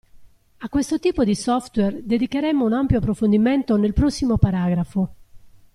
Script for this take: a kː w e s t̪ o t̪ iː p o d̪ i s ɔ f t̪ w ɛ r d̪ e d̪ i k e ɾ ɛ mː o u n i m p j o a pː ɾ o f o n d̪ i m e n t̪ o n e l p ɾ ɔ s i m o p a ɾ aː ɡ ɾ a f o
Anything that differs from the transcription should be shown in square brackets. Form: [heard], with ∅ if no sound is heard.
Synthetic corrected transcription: a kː w e s t̪ o t̪ iː p o d̪ i s ɔ f t̪ w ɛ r d̪ e d̪ i k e ɾ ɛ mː o u n [a] m p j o a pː ɾ o f o n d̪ i m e n t̪ o n e l p ɾ ɔ [sː] i m o p a ɾ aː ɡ ɾ a f o

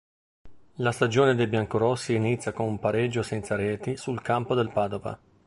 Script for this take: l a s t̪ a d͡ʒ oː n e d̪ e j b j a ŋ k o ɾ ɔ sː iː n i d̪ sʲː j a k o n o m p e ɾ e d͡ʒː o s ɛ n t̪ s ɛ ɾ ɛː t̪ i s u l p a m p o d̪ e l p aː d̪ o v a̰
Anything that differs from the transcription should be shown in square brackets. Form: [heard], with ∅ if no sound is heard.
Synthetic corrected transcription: l a s t̪ a d͡ʒ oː n e d̪ e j b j a ŋ k o ɾ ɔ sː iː n i [t̪] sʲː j a k o n [u] m p [a] ɾ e d͡ʒː o s ɛ n t̪ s [a] ɾ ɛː t̪ i s u l [k] a m p o d̪ e l p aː d̪ o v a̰

